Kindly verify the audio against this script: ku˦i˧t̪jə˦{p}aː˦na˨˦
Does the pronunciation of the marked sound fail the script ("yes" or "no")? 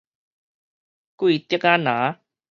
yes